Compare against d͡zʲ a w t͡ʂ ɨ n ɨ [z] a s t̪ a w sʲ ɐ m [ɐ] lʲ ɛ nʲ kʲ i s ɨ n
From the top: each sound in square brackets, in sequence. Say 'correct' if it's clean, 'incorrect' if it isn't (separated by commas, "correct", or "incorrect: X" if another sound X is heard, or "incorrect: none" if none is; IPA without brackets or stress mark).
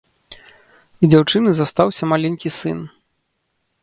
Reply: correct, incorrect: a